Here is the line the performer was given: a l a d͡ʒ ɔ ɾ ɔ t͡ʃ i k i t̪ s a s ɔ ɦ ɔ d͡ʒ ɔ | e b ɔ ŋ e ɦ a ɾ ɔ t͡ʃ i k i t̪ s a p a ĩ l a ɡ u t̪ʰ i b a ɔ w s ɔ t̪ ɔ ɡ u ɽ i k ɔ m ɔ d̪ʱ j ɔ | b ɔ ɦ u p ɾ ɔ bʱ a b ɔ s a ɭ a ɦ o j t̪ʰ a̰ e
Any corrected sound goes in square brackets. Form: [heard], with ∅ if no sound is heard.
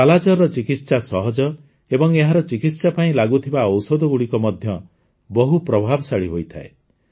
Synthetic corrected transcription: a l a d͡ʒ ɔ ɾ ɔ t͡ʃ i k i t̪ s a s ɔ ɦ ɔ d͡ʒ ɔ | e b ɔ ŋ e ɦ a ɾ ɔ t͡ʃ i k i t̪ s a p a ĩ l a ɡ u t̪ʰ i b a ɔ w s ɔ [d̪] ɔ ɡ u ɽ i k ɔ m ɔ d̪ʱ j ɔ | b ɔ ɦ u p ɾ ɔ bʱ a b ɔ s a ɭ [i] ɦ o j t̪ʰ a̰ e